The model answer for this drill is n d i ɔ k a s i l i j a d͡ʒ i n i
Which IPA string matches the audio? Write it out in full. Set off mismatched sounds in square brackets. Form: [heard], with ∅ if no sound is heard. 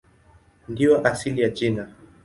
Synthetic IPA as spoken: n d i ɔ [ʔ] a s i l i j a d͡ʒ i n [a]

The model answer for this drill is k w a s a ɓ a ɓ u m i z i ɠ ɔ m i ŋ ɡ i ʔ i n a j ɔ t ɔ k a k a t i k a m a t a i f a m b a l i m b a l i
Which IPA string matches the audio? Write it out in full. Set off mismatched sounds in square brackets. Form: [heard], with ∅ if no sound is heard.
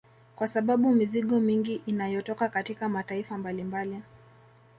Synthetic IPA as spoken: k w a s a ɓ a ɓ u m i z i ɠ ɔ m i ŋ ɡ i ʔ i n a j ɔ t ɔ k a k a t i k a m a t a i f a m b a l i m b a l i

